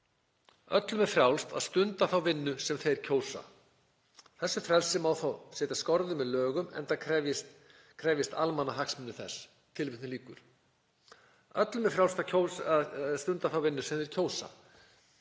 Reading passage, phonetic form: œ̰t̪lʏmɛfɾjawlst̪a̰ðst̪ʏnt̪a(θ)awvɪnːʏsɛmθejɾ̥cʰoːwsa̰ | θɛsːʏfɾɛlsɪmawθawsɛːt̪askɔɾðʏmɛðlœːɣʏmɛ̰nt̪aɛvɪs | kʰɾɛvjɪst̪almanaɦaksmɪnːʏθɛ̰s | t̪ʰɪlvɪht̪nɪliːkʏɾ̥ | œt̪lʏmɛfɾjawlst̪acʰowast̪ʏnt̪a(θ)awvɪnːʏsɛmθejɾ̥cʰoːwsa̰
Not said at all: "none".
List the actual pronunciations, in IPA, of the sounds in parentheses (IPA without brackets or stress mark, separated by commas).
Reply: θ, θ